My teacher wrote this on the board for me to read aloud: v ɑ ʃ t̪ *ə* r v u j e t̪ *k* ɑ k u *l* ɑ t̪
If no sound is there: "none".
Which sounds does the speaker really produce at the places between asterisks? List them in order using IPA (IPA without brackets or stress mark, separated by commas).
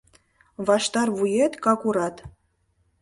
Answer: ɑ, k, ɾ